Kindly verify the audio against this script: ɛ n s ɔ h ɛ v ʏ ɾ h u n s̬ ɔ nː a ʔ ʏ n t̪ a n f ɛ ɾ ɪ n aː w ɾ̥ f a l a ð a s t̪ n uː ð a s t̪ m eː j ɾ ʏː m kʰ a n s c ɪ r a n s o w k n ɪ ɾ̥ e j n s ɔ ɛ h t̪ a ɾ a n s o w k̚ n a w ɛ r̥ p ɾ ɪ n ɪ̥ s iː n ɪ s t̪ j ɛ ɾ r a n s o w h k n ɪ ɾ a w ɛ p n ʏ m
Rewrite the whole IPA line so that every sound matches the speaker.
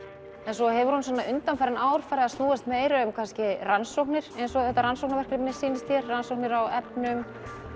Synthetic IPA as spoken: ɛ n s ɔ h ɛ v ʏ ɾ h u n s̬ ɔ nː a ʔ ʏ n t̪ a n f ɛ ɾ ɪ n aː w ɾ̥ f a ɾ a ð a s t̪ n uː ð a s t̪ m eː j ɾ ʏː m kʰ a n s c ɪ r a n s o w k n ɪ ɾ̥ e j n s ɔ ɛ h t̪ a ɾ a n s o w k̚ n a v ɛ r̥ k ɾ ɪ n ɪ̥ s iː n ɪ s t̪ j ɛ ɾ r a n s o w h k n ɪ ɾ a w ɛ p n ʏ m